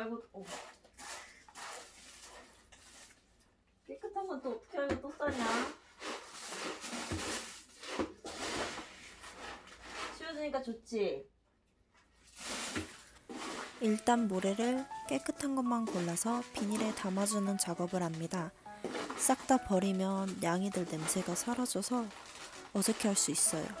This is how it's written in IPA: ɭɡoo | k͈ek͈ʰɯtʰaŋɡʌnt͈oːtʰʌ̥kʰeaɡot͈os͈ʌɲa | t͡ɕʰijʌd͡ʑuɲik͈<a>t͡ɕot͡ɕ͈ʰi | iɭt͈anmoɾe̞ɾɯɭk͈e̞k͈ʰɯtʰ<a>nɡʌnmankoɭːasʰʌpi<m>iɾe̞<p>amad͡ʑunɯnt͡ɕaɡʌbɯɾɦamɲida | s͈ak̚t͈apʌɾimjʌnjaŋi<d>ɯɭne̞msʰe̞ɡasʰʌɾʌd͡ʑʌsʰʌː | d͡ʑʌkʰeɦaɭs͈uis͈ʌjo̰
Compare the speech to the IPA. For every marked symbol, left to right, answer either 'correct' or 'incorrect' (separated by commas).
correct, correct, incorrect, incorrect, correct